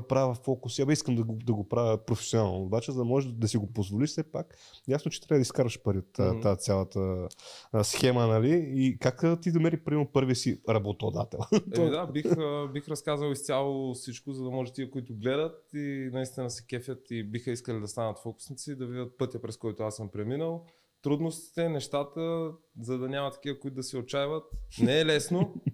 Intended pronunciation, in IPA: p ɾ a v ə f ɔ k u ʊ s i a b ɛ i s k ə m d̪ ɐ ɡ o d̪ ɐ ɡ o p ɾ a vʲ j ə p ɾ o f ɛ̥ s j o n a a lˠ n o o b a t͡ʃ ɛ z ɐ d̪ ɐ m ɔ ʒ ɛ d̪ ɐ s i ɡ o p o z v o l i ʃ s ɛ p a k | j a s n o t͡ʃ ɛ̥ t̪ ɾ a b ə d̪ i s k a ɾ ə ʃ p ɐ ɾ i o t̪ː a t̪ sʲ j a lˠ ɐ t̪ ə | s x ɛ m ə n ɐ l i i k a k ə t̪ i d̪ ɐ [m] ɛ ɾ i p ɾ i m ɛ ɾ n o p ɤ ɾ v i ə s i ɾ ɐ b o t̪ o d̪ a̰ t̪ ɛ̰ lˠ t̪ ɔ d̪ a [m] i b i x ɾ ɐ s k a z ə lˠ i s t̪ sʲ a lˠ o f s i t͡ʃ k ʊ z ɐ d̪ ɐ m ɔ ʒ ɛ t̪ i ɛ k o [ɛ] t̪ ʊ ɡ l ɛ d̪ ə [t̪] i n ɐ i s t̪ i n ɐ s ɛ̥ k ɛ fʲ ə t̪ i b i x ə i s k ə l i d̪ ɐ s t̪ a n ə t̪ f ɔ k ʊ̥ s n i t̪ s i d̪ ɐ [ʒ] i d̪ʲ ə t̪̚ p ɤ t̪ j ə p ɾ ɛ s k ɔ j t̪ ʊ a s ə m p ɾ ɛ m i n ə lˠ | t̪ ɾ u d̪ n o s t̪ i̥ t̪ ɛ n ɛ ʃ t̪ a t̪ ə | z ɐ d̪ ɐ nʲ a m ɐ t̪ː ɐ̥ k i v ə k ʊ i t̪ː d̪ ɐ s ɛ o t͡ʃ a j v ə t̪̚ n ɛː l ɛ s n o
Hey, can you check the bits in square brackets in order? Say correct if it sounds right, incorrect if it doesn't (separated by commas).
correct, incorrect, incorrect, correct, incorrect